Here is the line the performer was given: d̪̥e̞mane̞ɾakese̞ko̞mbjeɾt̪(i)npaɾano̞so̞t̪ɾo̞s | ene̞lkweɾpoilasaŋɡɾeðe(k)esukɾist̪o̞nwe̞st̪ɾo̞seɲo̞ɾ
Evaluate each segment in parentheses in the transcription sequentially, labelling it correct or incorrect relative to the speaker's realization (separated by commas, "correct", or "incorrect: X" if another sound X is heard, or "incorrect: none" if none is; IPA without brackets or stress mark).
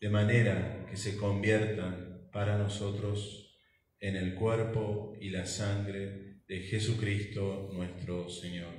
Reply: incorrect: a, incorrect: x